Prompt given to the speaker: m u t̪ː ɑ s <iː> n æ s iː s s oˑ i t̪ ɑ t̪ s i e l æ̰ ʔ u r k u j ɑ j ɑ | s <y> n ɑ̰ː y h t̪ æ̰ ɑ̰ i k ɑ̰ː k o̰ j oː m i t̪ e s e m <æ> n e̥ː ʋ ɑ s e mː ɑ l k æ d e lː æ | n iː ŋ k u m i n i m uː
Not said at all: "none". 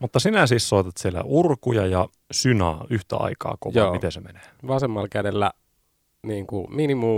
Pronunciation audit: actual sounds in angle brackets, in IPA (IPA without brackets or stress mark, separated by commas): i, y, e